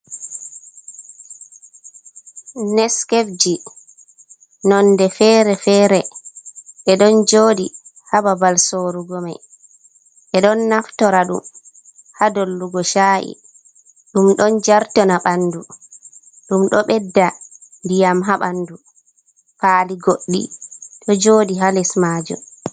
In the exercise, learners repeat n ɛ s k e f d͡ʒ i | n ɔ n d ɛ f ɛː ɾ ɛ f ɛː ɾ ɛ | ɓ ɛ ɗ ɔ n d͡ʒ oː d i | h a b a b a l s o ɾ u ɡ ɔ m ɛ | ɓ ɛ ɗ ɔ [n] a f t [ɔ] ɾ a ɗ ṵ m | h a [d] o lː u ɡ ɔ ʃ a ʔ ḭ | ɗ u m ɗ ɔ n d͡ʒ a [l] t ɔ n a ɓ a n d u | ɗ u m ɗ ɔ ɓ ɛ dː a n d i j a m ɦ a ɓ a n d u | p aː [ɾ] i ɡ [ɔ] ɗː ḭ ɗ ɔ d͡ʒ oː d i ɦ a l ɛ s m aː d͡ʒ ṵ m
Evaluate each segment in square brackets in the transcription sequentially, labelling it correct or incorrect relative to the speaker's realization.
incorrect, correct, correct, incorrect, incorrect, incorrect

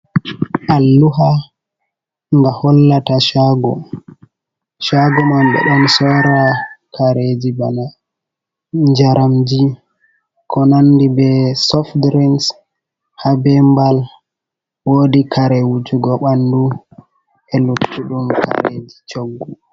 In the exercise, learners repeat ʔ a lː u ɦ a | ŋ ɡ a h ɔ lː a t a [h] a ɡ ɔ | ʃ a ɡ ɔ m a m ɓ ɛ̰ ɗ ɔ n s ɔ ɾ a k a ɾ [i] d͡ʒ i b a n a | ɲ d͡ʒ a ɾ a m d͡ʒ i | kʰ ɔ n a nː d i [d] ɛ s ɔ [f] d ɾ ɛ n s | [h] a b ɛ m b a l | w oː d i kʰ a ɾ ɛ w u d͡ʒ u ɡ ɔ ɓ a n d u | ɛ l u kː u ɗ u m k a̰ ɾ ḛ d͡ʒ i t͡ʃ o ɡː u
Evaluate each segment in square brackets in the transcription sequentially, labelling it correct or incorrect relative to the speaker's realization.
incorrect, incorrect, incorrect, correct, correct

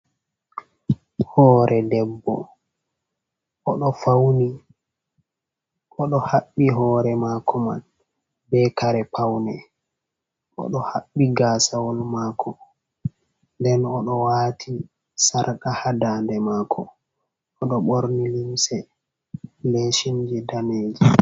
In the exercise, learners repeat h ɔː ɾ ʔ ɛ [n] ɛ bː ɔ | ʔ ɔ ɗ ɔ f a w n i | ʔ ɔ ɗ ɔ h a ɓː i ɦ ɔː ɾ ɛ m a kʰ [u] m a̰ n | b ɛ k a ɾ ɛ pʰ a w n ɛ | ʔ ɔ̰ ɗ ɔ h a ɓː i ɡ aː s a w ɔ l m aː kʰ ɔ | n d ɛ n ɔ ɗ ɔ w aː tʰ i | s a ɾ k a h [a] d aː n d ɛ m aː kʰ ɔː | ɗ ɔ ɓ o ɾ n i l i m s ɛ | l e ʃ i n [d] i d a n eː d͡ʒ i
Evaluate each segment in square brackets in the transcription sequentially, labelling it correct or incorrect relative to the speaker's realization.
incorrect, incorrect, correct, incorrect

